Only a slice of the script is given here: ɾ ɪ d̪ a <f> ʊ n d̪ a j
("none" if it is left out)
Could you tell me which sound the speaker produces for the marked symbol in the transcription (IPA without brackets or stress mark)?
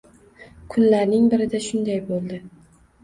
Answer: ʃ